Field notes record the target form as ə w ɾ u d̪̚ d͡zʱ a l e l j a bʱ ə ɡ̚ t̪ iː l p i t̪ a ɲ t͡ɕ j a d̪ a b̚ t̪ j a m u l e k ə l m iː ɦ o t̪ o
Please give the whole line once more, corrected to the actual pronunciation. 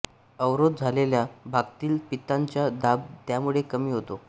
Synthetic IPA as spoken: ə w ɾ o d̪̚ d͡zʱ a l e l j a bʱ a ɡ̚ t̪ iː l p i t̪ a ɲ t͡ɕ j a d̪ a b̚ t̪ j a m u ɭ e k ə m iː ɦ o t̪ o

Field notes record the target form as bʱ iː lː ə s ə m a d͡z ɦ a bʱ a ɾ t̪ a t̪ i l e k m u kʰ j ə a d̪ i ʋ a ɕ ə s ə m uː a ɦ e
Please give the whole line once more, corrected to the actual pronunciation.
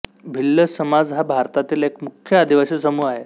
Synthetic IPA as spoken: bʱ i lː ə s ə m a d͡z ɦ a bʱ a ɾ t̪ a t̪ iː l e k m u kʰ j ə a d̪ i ʋ a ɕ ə s ə m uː a ɦ e

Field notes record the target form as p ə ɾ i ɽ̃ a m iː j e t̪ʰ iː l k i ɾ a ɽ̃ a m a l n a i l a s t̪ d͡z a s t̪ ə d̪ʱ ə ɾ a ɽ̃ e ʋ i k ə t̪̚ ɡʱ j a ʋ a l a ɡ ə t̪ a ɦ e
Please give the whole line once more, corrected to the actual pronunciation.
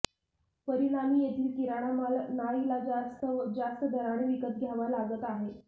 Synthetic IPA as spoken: p ə ɾ i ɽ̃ a m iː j e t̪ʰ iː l k i ɾ a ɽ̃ a m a l n a i l a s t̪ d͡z a s t̪ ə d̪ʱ ə ɾ a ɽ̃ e ʋ i k ə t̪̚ ɡʱ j a ʋ a l a ɡ ə t̪ a ɦ e

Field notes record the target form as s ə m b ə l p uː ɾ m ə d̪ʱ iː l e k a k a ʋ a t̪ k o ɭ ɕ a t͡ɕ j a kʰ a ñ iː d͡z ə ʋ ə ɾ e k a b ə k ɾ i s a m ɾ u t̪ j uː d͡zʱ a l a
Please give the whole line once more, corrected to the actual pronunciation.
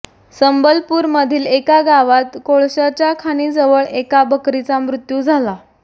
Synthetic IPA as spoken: s ə m b ə l p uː ɾ m ə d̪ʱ iː l e k a ɡ a ʋ a t̪ k o ɭ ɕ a t͡ɕ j a kʰ a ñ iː d͡z ə ʋ ə ɭ e k a b ə k ɾ i t͡s a m ɾ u t̪ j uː d͡zʱ a l a

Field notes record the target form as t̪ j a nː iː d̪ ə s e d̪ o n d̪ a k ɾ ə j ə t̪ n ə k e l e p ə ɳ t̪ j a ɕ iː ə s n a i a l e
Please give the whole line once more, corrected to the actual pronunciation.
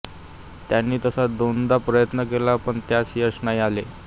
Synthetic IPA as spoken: t̪ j a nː iː t̪ ə s a d̪ o n d̪ a p ɾ ə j ə t̪ n ə k e l a p ə ɳ t̪ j a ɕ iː ə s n a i a l e

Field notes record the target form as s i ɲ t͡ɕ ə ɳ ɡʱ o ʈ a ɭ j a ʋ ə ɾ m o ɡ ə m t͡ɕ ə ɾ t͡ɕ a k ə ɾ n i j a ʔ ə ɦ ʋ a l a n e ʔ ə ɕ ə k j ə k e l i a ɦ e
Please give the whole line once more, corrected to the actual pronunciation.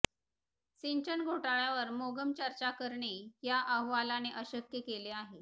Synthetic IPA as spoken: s i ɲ t͡ɕ ə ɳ ɡʱ o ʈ a ɭ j a ʋ ə ɾ m o ɡ ə m t͡ɕ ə ɾ t͡ɕ a k ə ɾ ɳ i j a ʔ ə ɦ ʋ a l a n e ʔ ə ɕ ə k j ə k e l e a ɦ e

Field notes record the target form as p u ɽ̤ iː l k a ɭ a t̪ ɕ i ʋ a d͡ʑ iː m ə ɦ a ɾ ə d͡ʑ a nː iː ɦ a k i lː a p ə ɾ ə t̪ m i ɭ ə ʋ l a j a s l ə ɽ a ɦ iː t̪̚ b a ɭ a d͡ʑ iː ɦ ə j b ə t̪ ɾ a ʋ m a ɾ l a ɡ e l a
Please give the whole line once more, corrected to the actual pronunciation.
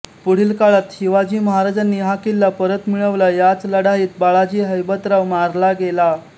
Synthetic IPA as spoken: p u ɽ̤ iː l k a ɭ a t̪ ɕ i ʋ a d͡ʑ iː m ə ɦ a ɾ a d͡ʑ a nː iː ɦ a k i lː a p ə ɾ ə t̪ m i ɭ ə ʋ l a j a t͡s l ə ɽ a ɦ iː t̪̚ b a ɭ a d͡ʑ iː ɦ ə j b ə t̪ ɾ a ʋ m a ɾ l a ɡ e l a

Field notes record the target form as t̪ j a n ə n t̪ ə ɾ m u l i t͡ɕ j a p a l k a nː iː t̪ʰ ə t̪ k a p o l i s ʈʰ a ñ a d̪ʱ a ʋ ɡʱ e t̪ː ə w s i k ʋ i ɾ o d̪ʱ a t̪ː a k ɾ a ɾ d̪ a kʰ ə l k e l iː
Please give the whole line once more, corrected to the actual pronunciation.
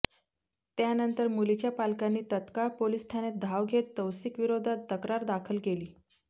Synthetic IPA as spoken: t̪ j a n ə n t̪ ə ɾ m u l i t͡ɕ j a p a l k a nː iː t̪ ə t̪ k a p o l i s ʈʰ a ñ e d̪ʱ a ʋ ɡʱ e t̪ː ə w s i k ʋ i ɾ o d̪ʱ a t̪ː ə k ɾ a ɾ d̪ a kʰ ə l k e l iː

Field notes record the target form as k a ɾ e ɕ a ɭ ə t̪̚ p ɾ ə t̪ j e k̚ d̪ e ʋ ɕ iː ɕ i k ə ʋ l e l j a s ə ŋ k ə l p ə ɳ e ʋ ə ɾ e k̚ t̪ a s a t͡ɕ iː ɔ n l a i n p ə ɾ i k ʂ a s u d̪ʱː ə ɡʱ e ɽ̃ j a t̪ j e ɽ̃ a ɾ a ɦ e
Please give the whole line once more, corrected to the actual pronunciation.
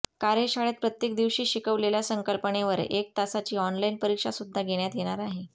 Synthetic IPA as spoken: k a ɾ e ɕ a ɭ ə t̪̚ p ɾ ə t̪ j e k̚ d̪ i ʋ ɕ iː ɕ i k ə ʋ l e l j a s ə ŋ k ə l p ə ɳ e ʋ ə ɾ e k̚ t̪ a s a t͡ɕ iː ɔ n l a i n p ə ɾ i k ʂ a s u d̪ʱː a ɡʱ e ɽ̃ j a t̪ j e ɽ̃ a ɾ a ɦ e

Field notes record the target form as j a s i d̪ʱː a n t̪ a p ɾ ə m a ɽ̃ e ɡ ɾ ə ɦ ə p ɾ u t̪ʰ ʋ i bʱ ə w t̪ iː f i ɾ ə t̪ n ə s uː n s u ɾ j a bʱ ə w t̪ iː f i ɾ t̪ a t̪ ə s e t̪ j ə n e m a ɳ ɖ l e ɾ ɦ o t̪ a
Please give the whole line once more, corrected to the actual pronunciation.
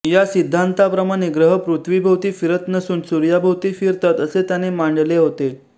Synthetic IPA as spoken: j a s i d̪ʱː a n t̪ a p ɾ ə m a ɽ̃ e ɡ ɾ ə ɦ ə p ɾ u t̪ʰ ʋ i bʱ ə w t̪ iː f i ɾ ə t̪ n ə s uː n s u ɾ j a bʱ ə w t̪ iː f i ɾ t̪ a t̪ ə s e t̪ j a n e m a ɳ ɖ l e ɦ o t̪ e

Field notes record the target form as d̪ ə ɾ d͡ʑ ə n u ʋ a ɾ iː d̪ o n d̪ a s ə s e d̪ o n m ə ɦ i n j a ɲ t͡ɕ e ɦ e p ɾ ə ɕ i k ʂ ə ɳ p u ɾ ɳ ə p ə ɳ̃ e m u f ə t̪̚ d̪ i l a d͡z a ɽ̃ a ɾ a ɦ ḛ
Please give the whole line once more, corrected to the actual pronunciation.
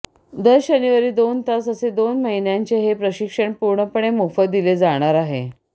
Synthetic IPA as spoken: d̪ ə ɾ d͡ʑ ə n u ʋ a ɾ iː d̪ o n t̪ a s ə s e d̪ o n m ə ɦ i n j a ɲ t͡ɕ e ɦ e p ɾ ə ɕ i k ʂ ə ɳ p u ɾ ɳ ə p ə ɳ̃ e m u f ə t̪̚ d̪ i l e d͡z a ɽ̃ a ɾ a ɦ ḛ

